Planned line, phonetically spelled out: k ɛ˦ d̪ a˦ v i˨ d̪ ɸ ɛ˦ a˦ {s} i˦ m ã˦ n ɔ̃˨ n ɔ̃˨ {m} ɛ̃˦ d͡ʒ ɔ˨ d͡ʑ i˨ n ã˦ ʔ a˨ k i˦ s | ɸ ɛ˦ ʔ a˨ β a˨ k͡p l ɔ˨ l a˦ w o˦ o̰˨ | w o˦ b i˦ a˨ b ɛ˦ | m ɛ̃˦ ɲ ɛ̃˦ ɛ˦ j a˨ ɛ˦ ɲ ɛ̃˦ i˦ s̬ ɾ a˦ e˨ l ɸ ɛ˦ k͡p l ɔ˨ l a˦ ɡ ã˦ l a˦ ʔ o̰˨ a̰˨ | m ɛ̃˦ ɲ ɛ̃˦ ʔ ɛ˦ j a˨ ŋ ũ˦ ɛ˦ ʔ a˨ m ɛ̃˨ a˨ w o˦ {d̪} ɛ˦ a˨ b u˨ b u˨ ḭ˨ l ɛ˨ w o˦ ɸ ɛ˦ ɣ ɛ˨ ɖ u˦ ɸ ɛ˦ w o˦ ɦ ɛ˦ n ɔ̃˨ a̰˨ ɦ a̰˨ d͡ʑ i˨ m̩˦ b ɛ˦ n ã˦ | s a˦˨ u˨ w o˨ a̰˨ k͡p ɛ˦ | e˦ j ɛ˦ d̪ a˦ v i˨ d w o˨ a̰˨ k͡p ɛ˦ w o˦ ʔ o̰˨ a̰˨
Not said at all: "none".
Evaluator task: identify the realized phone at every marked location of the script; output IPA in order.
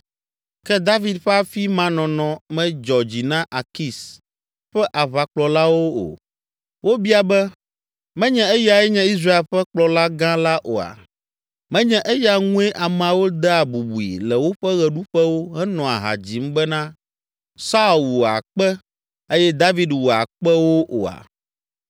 f, m, d̪

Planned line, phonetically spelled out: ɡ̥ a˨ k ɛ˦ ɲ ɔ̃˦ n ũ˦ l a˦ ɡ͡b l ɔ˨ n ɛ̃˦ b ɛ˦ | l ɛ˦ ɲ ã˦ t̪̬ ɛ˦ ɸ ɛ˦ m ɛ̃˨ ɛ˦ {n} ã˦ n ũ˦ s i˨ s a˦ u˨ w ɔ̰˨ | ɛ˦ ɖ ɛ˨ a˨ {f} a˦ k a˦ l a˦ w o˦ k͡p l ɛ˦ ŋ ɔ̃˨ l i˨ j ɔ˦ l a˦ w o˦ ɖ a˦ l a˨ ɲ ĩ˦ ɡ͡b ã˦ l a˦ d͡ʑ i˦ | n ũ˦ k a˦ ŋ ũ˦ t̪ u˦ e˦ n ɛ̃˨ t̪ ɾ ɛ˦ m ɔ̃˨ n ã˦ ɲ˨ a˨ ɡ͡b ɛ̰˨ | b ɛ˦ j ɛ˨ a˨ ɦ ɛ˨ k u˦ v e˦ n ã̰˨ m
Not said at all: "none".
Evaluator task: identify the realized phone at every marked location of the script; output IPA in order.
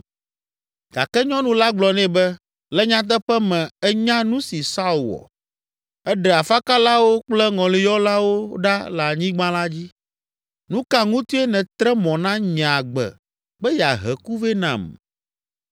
ɲ, f

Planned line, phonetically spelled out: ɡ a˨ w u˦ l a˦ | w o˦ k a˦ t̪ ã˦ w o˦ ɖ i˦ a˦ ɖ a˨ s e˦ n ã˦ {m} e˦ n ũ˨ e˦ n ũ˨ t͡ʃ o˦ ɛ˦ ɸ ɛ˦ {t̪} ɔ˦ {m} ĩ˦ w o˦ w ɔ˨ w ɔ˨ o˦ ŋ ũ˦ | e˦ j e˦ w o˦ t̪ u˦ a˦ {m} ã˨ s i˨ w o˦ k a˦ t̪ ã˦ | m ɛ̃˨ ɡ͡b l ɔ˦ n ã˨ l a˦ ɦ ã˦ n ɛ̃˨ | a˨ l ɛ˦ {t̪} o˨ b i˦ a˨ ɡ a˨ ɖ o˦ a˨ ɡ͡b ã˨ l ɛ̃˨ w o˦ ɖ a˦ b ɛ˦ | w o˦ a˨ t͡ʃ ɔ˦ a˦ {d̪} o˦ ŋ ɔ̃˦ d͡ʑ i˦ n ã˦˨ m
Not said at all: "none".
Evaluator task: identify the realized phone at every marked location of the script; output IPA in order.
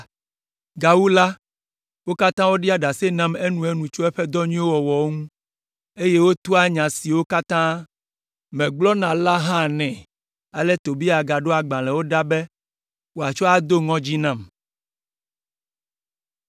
m, d̪, ɲ, ɲ, t̪, d̪

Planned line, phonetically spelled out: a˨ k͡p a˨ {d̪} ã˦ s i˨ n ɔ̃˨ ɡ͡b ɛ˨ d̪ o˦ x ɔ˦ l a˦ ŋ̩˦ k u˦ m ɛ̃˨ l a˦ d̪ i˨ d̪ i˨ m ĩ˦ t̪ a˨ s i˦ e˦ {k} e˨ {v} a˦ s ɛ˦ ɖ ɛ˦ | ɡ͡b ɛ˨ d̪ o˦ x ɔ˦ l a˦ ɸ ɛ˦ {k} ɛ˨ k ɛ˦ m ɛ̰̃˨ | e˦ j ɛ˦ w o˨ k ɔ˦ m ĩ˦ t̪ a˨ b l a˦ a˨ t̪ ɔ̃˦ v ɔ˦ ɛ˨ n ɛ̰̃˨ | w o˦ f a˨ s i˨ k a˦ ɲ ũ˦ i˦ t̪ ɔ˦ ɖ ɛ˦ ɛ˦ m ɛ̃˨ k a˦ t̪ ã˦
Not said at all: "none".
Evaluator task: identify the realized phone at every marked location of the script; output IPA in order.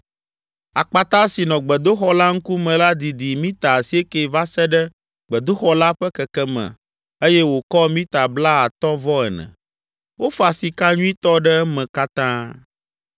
t̪, k, v, k

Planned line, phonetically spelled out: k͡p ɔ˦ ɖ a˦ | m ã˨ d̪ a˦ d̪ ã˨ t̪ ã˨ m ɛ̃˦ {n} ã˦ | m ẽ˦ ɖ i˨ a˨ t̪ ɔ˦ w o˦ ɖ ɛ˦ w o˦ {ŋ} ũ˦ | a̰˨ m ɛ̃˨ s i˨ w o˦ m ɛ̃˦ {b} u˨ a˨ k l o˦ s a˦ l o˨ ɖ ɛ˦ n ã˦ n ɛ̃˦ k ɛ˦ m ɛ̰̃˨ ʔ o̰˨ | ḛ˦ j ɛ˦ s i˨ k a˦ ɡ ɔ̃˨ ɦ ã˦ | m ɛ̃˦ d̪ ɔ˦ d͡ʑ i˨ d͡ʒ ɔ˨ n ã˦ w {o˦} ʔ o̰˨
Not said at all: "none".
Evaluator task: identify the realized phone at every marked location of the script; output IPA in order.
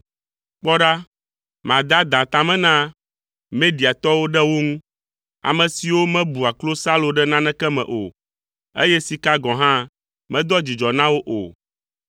n, ŋ, b, o˦

